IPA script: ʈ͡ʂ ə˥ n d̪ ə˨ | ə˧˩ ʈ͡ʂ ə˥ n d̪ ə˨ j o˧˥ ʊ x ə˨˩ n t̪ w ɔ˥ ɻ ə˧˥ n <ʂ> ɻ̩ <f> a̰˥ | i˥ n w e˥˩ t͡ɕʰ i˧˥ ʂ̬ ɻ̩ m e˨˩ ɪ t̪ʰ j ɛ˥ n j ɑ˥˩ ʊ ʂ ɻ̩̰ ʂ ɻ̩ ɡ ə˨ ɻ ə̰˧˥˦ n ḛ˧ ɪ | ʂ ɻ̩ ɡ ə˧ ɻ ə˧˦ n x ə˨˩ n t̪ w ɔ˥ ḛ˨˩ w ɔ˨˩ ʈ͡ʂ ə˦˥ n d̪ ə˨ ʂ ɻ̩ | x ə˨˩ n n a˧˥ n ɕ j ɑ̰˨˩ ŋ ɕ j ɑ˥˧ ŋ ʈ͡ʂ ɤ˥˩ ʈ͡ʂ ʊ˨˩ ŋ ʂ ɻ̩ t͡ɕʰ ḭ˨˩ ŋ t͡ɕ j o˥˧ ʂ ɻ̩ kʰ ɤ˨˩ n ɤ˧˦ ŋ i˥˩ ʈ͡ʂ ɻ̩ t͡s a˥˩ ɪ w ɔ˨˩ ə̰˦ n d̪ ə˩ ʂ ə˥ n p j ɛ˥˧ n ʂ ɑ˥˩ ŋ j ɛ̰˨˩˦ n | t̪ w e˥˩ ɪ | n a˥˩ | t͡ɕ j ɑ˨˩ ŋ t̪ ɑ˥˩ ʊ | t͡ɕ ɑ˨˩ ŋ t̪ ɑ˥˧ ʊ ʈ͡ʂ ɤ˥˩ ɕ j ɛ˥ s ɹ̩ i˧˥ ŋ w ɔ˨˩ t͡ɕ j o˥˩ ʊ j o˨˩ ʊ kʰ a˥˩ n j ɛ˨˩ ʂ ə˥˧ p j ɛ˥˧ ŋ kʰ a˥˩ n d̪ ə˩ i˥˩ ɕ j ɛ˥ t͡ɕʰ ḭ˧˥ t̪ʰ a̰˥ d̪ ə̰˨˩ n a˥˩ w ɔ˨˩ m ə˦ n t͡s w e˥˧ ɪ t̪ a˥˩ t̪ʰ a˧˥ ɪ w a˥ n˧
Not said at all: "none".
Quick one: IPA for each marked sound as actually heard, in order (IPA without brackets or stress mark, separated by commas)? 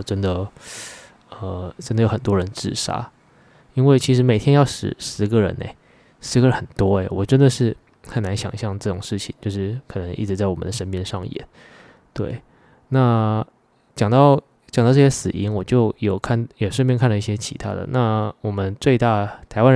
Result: ʈ͡ʂ, ʂ